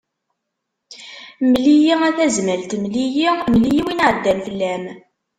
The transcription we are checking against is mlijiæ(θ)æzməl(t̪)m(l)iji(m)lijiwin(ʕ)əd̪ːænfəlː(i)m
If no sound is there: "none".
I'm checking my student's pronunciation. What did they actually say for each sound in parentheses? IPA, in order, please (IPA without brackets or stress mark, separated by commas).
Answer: θ, t̪, l, m, ʕ, æ